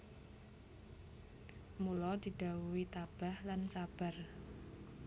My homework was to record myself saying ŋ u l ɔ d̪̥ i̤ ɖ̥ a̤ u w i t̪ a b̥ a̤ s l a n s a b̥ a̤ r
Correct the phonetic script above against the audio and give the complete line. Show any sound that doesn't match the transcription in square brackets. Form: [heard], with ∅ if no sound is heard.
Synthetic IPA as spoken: [m] u l ɔ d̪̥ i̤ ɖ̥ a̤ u w i t̪ a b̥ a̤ [h] l a n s a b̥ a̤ r